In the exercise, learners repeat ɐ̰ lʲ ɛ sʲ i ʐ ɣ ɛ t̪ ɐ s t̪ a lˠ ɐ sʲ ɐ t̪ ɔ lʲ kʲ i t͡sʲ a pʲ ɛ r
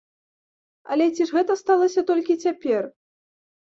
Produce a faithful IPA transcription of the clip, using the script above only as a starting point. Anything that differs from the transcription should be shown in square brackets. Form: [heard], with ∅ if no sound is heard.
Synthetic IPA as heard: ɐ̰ lʲ ɛ [t͡sʲ] i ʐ ɣ ɛ t̪ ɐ s t̪ a lˠ ɐ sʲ ɐ t̪ ɔ lʲ kʲ i t͡sʲ a pʲ ɛ r

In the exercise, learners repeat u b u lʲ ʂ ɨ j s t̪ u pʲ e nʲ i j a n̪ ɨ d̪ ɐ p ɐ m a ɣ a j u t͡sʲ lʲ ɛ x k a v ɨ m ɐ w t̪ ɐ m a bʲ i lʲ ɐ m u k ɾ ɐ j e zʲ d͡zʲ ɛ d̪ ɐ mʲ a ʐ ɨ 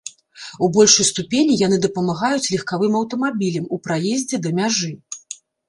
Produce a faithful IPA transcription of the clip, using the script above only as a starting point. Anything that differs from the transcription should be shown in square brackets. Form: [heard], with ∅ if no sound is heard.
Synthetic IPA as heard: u b [ɔ] lʲ ʂ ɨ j s t̪ u pʲ e nʲ i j a n̪ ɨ d̪ ɐ p ɐ m a ɣ a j u t͡sʲ lʲ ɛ x k a v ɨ m ɐ w t̪ ɐ m a bʲ i lʲ ɐ m u [p] ɾ [a] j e zʲ d͡zʲ ɛ d̪ ɐ mʲ a ʐ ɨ

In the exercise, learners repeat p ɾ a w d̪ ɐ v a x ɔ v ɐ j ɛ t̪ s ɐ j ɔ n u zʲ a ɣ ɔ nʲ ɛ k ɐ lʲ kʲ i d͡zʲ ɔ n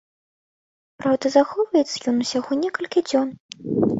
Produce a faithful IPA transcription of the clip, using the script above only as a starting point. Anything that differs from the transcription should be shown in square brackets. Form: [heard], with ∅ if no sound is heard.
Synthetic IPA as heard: p ɾ a w d̪ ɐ [z] a x ɔ v ɐ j ɛ t̪ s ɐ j ɔ n u [sʲ] a ɣ ɔ nʲ ɛ k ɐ lʲ kʲ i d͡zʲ ɔ n

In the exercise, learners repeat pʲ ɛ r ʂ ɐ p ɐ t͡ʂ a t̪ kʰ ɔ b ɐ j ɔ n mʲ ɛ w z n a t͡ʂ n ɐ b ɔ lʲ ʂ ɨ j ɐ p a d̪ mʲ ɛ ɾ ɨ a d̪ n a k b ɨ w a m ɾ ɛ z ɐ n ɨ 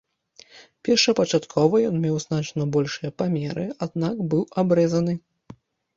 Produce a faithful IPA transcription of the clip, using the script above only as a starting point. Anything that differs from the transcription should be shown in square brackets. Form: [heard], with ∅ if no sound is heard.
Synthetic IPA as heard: pʲ ɛ r ʂ ɐ p ɐ t͡ʂ a t̪ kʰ ɔ [v] ɐ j ɔ n mʲ ɛ w z n a t͡ʂ n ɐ b ɔ lʲ ʂ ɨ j ɐ p a [∅] mʲ ɛ ɾ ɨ a d̪ n a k b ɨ w a [b] ɾ ɛ z ɐ n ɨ

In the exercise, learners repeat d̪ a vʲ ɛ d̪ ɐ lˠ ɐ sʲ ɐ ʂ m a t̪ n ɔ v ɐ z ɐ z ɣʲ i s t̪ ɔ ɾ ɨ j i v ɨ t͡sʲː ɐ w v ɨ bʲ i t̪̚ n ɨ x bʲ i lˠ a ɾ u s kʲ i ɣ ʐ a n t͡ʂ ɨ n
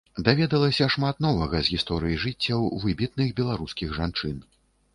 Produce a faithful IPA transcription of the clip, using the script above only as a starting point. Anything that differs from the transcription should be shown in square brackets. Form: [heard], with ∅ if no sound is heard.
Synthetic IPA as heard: d̪ a vʲ ɛ d̪ ɐ lˠ ɐ sʲ ɐ ʂ m a t̪ n ɔ v ɐ [ɣ] ɐ z ɣʲ i s t̪ ɔ ɾ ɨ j i [ʐ] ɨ t͡sʲː ɐ w v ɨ bʲ i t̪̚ n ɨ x bʲ [ɛ] lˠ a ɾ u s kʲ i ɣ ʐ a n t͡ʂ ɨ n

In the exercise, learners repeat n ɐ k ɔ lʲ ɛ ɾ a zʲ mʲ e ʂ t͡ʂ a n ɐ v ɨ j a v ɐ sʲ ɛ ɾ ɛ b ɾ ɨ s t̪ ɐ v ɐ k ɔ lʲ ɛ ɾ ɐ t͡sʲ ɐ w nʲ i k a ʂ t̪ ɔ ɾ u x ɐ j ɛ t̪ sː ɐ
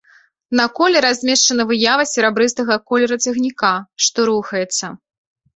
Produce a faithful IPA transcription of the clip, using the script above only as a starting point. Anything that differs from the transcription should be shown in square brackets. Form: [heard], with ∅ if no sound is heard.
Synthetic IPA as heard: n ɐ k ɔ lʲ ɛ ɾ a zʲ mʲ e ʂ t͡ʂ [ɐ] n ɐ v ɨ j a v ɐ sʲ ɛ ɾ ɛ b ɾ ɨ s t̪ ɐ [ɣ] ɐ k ɔ lʲ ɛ ɾ ɐ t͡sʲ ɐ [ɣ] nʲ i k a ʂ t̪ ɔ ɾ u x ɐ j ɛ t̪ sː ɐ

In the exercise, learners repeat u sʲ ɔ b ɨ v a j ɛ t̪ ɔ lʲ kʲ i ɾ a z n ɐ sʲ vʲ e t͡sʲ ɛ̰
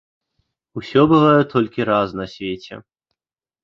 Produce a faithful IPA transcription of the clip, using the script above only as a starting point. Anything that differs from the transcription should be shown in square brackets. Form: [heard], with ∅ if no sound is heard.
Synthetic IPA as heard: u sʲ ɔ b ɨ v a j ɛ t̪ ɔ lʲ kʲ i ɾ a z n ɐ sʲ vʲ e t͡sʲ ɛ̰

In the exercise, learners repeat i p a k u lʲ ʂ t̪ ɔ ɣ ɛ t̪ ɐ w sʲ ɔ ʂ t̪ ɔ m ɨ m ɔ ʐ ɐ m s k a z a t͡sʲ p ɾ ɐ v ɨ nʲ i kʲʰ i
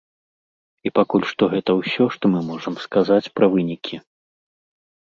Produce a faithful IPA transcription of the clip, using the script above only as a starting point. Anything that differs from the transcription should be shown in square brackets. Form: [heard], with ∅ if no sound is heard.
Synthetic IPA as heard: i p a k u lʲ ʂ t̪ ɔ ɣ ɛ t̪ ɐ w sʲ ɔ ʂ t̪ ɔ m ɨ m ɔ ʐ ɐ m s k a z a t͡sʲ p ɾ ɐ v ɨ nʲ i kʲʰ i

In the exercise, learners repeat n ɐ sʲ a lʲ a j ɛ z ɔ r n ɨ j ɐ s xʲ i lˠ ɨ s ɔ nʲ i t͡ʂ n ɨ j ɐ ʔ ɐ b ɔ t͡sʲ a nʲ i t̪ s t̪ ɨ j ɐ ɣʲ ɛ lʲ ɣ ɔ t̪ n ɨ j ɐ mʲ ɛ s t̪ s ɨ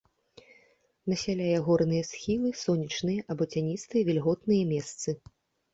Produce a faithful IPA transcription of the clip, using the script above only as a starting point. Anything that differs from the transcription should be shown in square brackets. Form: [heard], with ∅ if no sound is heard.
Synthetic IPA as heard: n ɐ sʲ a lʲ a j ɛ [ɣ] ɔ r n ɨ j ɐ s xʲ i lˠ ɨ s ɔ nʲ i t͡ʂ n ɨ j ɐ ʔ ɐ b ɔ t͡sʲ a nʲ i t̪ s t̪ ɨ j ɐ [vʲ] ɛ lʲ ɣ ɔ t̪ n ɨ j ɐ mʲ ɛ s t̪ s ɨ

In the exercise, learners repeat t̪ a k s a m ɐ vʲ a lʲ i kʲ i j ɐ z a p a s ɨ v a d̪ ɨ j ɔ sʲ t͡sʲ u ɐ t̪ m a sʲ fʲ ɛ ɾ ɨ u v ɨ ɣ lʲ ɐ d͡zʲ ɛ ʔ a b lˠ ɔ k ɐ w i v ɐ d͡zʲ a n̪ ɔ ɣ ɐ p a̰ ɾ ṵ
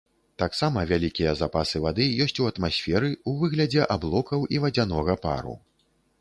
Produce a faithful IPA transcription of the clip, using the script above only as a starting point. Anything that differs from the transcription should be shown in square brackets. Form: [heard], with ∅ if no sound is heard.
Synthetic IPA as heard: t̪ a k s a m ɐ vʲ a lʲ i kʲ i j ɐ z a p a s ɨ v a d̪ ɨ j ɔ sʲ t͡sʲ u ɐ t̪ m a sʲ fʲ ɛ ɾ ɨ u v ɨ ɣ lʲ ɐ d͡zʲ ɛ ʔ a b lˠ ɔ k ɐ w i v ɐ d͡zʲ a n̪ ɔ ɣ ɐ p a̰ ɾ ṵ

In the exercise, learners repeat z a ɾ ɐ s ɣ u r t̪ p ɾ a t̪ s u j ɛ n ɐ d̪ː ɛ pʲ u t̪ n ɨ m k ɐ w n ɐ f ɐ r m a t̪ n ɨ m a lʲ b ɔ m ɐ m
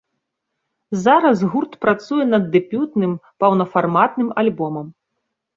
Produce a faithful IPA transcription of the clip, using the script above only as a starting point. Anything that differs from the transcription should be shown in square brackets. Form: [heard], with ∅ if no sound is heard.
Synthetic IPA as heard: z a ɾ ɐ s ɣ u r t̪ p ɾ a t̪ s u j ɛ n ɐ d̪ː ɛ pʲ u t̪ n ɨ m [p] ɐ w n ɐ f [a] r m a t̪ n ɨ m a lʲ b ɔ m ɐ m

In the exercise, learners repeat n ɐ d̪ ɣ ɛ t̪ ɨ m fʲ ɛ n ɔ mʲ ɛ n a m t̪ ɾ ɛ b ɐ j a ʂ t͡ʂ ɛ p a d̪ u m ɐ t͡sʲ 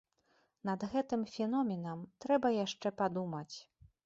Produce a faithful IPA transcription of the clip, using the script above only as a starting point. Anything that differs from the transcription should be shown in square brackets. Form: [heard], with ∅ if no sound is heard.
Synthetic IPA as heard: n ɐ d̪ ɣ ɛ t̪ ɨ m fʲ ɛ n ɔ mʲ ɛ n [ɐ] m t̪ ɾ ɛ b ɐ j a ʂ t͡ʂ ɛ p a d̪ u m ɐ t͡sʲ

